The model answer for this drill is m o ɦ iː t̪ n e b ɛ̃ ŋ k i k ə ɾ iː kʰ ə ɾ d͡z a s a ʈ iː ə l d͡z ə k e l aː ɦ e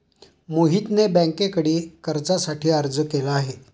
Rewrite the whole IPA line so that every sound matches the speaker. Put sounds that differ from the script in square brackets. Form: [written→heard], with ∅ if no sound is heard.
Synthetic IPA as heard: m o ɦ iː t̪ n e b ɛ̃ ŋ k [i→e] k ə [ɾ→ɽ] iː [kʰ→k] ə ɾ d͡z a s a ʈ iː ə [l→ɾ] d͡z ə k e l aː ɦ e